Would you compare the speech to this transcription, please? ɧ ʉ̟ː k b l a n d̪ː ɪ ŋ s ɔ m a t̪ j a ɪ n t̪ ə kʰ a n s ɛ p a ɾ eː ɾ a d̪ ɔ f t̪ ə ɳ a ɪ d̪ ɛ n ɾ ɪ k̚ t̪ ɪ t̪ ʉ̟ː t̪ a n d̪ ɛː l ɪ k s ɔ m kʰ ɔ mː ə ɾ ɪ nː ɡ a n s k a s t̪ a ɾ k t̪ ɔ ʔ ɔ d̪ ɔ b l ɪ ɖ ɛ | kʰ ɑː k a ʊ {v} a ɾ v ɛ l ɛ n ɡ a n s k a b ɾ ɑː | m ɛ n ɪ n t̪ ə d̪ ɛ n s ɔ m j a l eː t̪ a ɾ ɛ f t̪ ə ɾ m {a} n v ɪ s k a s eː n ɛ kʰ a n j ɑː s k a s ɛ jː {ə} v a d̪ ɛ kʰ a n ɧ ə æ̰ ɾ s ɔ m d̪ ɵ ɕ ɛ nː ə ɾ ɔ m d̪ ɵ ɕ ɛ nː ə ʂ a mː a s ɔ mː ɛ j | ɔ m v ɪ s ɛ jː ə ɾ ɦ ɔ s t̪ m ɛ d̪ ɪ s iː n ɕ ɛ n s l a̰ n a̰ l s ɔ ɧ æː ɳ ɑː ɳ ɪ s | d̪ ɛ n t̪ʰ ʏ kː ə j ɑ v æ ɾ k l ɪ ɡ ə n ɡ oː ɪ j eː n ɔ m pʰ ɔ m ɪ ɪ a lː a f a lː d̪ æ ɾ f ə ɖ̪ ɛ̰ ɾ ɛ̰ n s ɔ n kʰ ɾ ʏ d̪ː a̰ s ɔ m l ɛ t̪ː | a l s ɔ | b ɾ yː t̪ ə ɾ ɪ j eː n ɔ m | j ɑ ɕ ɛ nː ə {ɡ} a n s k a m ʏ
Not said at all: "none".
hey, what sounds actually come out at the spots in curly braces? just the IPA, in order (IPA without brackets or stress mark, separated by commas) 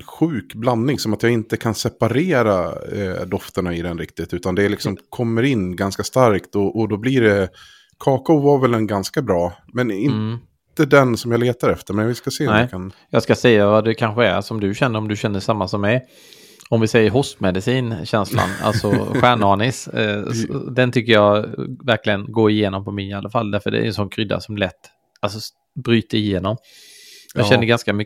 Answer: v, ɛ, a, ɡ